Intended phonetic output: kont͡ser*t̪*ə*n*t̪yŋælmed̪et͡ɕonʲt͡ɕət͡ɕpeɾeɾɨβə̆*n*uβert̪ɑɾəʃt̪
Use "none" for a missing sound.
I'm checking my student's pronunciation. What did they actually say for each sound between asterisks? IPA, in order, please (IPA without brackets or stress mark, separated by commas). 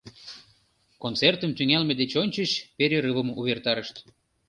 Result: t̪, m, m